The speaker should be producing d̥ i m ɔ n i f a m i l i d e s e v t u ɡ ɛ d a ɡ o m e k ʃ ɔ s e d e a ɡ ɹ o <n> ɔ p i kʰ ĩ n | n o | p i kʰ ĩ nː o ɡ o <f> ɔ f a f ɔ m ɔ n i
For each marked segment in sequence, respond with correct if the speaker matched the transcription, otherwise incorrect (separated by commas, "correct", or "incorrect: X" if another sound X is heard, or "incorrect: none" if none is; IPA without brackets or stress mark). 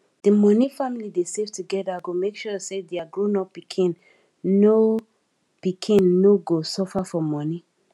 correct, incorrect: s